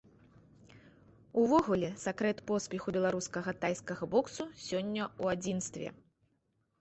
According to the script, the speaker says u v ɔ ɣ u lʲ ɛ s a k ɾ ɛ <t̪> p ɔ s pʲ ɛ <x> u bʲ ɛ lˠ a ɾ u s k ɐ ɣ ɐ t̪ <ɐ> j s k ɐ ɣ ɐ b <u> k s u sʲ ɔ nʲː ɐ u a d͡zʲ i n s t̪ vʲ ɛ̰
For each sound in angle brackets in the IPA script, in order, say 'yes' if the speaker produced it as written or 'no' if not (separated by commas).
yes, yes, no, no